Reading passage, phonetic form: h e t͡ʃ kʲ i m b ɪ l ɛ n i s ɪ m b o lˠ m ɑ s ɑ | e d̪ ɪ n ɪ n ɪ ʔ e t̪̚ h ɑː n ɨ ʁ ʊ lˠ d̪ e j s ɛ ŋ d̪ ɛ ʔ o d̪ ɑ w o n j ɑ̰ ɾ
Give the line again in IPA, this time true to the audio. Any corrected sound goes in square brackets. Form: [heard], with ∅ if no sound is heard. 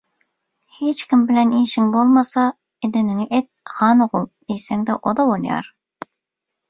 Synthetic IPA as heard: h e t͡ʃ kʲ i m b ɪ l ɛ n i [ʃ] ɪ [ŋ] b o lˠ m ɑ s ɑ | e d̪ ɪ n ɪ [ŋ] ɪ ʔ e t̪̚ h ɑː n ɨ ʁ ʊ lˠ d̪ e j s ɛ ŋ d̪ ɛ ʔ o d̪ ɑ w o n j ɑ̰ ɾ

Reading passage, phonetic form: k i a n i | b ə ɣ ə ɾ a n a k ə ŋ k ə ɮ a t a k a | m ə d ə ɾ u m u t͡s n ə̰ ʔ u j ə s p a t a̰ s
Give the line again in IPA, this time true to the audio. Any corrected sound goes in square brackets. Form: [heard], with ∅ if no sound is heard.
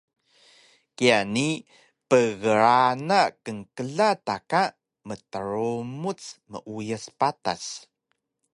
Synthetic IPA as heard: k i a n i | [p] ə ɣ ə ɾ a n a k ə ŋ k ə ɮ a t a k a | m ə [t] ə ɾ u m u t͡s [m] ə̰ ʔ u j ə s p a t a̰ s

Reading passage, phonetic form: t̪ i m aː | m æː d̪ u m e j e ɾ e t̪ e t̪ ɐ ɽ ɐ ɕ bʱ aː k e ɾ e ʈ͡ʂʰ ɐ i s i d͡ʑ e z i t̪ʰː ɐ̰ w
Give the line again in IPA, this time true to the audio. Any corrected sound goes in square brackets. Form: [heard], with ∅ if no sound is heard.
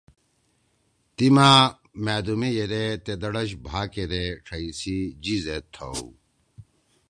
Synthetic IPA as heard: t̪ i m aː | m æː d̪ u m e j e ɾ e t̪ e [d̪] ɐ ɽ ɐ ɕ bʱ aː k e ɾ e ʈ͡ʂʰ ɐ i s i d͡ʑ [i] z [e] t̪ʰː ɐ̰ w

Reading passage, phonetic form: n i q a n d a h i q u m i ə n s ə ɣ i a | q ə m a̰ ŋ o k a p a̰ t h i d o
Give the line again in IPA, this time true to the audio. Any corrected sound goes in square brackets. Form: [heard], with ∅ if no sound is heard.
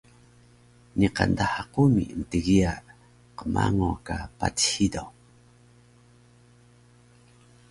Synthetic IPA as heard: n i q a n d a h [a] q u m i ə n [t] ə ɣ i a | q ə m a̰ ŋ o k a p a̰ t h i d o

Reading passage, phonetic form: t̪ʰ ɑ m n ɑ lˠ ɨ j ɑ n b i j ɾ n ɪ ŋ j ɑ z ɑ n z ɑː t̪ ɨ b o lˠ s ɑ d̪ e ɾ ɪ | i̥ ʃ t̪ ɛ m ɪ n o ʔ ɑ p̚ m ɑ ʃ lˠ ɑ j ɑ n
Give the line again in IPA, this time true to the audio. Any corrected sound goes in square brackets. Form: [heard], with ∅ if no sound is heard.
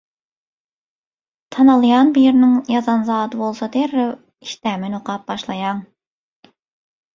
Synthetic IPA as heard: t̪ʰ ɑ [∅] n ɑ lˠ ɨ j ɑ n b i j ɾ n ɪ ŋ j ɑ z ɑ n z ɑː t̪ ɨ b o lˠ s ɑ d̪ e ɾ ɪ | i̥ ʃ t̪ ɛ m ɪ n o [q] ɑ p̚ [b] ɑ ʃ lˠ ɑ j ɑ [ŋ]

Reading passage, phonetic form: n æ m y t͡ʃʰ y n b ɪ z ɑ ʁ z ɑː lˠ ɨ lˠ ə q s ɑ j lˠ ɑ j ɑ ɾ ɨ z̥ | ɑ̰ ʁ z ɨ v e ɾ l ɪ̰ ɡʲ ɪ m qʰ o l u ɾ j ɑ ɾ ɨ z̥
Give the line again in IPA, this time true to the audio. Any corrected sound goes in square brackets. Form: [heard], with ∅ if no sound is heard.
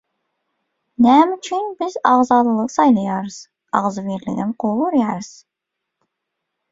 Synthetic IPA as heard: n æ m y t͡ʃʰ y n b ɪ z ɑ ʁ z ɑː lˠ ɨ lˠ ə q s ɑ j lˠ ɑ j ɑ ɾ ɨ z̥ | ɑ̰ ʁ z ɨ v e ɾ l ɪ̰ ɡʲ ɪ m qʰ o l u ɾ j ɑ ɾ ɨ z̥

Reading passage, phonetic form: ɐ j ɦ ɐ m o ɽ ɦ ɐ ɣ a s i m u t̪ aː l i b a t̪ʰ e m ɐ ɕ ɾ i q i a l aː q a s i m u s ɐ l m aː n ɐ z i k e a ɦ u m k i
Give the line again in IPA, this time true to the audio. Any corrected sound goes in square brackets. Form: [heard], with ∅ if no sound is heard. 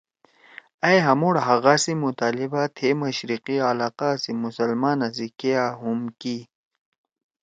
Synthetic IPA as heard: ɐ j ɦ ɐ m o ɽ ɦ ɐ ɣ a s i m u t̪ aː l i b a t̪ʰ e m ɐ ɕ ɾ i q i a l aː q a s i m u s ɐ l m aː n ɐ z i k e a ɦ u m k i

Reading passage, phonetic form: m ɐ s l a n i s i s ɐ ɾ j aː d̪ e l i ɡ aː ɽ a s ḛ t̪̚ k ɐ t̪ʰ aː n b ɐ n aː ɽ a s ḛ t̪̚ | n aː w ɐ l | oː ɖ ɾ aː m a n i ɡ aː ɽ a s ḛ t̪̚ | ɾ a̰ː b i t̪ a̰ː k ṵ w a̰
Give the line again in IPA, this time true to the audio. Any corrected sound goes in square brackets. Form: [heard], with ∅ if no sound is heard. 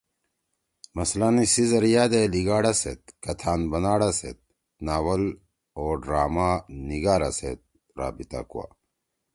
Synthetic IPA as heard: m ɐ s l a n i s i [z] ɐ ɾ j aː d̪ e l i ɡ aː ɽ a s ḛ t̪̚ k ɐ t̪ʰ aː n b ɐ n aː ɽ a s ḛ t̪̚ | n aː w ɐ l | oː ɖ ɾ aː m a n i ɡ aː [ɾ] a s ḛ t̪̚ | ɾ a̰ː b i t̪ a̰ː k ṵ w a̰

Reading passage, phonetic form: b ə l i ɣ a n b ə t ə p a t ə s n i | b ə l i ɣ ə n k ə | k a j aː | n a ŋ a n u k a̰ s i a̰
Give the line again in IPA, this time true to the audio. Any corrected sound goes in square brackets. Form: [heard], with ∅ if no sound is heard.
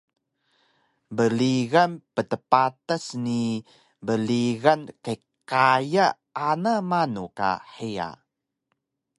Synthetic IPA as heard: b ə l i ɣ a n [p] ə t ə p a t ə s n i | b ə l i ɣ [a] n k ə | k a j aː | n a [m] a n u k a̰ [ħ] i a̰

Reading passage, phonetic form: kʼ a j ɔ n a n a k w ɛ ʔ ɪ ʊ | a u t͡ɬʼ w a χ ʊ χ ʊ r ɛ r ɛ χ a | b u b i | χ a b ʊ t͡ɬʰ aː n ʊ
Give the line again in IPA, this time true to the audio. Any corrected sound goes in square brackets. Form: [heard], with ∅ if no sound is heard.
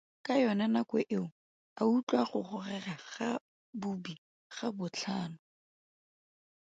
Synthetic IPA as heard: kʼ a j ɔ n a n a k w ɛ ʔ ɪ ʊ | a u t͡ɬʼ w a χ ʊ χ ʊ r ɛ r [a] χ a | b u b i | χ a b ʊ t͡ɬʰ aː n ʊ

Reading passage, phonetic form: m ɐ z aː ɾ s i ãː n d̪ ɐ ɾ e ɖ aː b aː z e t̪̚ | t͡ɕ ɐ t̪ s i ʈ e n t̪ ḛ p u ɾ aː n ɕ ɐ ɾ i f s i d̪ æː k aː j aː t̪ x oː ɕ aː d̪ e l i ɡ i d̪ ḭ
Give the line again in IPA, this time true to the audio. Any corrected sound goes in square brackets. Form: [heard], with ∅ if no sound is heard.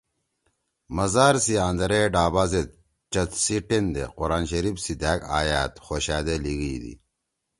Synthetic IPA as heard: m ɐ z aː ɾ s i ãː n d̪ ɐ ɾ e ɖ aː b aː z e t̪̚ | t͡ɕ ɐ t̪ s i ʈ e n [d̪] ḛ [q] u ɾ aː n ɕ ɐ ɾ i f s i d̪ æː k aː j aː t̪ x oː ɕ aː d̪ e l i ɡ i d̪ ḭ

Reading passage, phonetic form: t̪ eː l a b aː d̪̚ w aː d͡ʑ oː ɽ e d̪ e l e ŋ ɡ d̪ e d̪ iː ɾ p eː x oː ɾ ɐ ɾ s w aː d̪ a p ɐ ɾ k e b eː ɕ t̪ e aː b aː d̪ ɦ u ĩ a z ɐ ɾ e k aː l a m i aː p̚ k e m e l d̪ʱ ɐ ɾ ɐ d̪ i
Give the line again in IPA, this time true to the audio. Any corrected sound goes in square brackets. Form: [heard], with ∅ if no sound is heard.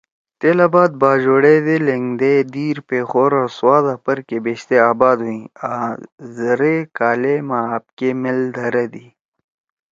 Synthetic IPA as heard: t̪ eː l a b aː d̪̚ [b] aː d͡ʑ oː ɽ e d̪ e l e ŋ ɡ d̪ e d̪ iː ɾ p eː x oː ɾ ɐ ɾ s w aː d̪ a p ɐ ɾ k e b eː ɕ t̪ e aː b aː d̪ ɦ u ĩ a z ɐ ɾ e k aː l [e] m [a] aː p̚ k e m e l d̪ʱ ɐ ɾ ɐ d̪ i

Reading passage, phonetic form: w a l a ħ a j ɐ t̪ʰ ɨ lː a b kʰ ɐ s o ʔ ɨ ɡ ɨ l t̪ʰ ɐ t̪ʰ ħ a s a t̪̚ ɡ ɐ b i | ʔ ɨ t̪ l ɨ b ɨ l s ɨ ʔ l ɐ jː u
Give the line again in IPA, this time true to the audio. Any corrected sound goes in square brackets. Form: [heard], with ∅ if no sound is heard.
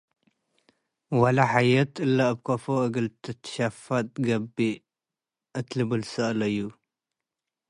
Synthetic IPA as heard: w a l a ħ a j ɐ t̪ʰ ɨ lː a b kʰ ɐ [f] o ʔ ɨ ɡ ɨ l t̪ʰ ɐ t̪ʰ [ʃ] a [f] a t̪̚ ɡ ɐ b i | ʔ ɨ t̪ l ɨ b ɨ l s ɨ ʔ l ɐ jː u

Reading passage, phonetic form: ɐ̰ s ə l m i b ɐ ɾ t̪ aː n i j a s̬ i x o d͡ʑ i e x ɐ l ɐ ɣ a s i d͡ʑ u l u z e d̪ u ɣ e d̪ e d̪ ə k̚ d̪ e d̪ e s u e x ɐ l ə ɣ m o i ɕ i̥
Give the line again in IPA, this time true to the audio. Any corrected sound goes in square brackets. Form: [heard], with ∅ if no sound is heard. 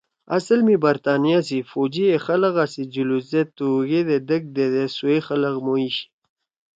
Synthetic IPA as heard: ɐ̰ s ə l m i b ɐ ɾ t̪ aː n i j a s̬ i [f] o d͡ʑ i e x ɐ l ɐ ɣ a s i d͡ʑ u l u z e [t̪] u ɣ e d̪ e d̪ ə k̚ d̪ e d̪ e s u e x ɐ l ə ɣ m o i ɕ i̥

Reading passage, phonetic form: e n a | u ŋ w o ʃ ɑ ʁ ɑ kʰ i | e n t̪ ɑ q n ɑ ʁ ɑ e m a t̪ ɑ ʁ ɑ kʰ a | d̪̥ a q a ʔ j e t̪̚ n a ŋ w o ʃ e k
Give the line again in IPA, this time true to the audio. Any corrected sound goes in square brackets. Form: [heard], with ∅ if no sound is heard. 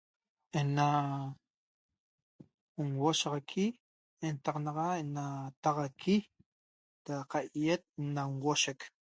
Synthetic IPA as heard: e n a | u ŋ w o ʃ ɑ ʁ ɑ kʰ i | e n t̪ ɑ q n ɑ ʁ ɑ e [n] a t̪ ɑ ʁ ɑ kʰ [i] | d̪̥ a q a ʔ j e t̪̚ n a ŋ w o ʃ e k

